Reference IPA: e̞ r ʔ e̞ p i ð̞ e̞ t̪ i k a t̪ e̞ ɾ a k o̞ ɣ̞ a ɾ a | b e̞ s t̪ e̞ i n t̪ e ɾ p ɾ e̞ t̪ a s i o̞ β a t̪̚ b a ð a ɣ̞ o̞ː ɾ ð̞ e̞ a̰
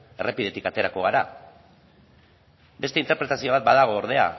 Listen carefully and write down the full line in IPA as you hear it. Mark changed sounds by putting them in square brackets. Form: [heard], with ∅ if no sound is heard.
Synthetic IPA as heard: e̞ r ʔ e̞ p i ð̞ e̞ t̪ i k a t̪ e̞ ɾ a k o̞ ɣ̞ a ɾ a | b e̞ s t̪ e̞ i n t̪ e ɾ p ɾ e̞ t̪ a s i o̞ β a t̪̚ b a ð a ɣ̞ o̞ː ɾ ð̞ e̞ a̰